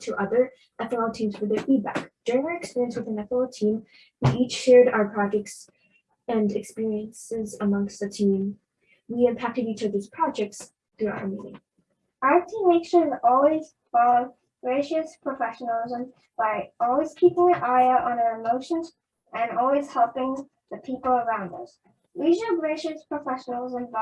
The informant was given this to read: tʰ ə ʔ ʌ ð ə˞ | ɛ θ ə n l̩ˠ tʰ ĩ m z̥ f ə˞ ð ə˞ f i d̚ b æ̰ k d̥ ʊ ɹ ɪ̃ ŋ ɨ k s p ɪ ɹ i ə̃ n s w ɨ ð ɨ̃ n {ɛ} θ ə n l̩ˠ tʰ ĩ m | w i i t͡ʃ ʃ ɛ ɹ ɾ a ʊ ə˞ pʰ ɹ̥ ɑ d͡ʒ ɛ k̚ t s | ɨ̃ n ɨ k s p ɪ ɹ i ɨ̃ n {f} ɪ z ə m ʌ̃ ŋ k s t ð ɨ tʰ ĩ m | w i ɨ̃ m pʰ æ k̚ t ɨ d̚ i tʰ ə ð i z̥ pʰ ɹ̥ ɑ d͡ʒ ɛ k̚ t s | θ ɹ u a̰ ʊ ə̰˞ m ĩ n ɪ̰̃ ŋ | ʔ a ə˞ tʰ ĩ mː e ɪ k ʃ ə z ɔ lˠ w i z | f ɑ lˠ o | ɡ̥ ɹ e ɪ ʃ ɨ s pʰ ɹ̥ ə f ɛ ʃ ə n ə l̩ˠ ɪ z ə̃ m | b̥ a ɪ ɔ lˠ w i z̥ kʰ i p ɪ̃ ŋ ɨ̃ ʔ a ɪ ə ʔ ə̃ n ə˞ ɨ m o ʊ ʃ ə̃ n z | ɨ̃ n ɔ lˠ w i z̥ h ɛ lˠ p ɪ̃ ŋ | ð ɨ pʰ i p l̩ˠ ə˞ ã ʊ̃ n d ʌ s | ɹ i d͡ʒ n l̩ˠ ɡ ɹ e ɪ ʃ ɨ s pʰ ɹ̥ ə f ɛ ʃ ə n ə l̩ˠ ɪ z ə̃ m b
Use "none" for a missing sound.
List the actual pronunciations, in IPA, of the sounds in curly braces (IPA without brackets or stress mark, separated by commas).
ɛ, s